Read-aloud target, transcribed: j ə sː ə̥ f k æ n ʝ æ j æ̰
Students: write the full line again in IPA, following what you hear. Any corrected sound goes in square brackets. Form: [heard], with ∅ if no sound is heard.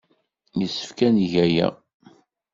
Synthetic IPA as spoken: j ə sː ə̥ f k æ n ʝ æ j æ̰